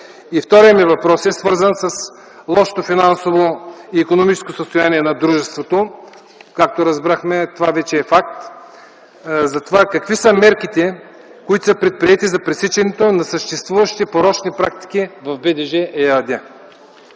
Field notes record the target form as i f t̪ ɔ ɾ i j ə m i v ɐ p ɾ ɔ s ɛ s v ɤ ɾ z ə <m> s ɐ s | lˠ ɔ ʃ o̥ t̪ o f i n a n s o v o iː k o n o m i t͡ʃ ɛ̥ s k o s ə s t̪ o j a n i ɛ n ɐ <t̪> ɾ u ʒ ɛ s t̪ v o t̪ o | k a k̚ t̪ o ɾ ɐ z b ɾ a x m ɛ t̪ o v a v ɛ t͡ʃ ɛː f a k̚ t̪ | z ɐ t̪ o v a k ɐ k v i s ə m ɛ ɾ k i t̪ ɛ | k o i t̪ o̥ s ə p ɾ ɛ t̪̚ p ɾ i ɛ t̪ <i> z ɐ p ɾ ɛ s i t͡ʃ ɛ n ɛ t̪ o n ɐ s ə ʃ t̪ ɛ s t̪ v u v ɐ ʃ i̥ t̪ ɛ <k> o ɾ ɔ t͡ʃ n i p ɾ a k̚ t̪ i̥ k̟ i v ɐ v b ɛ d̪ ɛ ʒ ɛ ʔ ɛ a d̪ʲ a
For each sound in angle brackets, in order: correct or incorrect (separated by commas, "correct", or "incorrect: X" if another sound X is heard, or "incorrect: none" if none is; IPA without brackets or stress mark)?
incorrect: n, incorrect: d̪, correct, incorrect: p